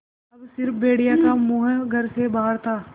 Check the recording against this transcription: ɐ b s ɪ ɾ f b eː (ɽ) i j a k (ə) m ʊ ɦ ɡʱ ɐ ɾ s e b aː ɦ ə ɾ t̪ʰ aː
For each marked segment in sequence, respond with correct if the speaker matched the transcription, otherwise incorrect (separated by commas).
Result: correct, incorrect